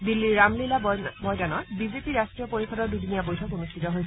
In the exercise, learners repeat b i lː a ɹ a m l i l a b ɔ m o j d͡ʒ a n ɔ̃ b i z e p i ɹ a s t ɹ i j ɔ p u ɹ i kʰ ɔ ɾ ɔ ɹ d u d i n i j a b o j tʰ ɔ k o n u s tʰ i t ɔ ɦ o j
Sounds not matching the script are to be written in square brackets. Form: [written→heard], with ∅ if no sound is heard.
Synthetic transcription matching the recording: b i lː [a→i] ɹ a m l i l a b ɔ m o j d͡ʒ a n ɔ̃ b i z e p i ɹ a s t ɹ i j ɔ p [u→o] ɹ i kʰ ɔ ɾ ɔ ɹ d u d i n i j a b o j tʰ ɔ k o n u s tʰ i t ɔ ɦ o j